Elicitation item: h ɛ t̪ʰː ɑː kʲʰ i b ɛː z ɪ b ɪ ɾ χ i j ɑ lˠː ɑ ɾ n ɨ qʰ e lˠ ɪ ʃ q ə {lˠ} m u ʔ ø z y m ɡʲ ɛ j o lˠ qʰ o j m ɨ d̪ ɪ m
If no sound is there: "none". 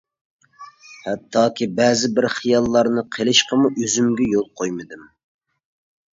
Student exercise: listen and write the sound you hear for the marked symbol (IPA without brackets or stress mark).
none